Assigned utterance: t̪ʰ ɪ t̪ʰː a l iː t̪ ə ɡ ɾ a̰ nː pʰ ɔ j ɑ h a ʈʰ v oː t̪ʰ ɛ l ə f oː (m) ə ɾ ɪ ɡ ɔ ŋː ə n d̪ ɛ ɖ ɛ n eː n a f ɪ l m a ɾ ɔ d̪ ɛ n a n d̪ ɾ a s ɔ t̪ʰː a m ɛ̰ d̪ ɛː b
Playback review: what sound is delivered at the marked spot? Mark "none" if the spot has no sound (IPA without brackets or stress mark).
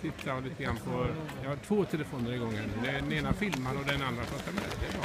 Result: n